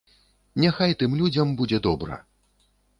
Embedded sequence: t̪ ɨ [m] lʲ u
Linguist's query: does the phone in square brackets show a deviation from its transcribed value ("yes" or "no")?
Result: no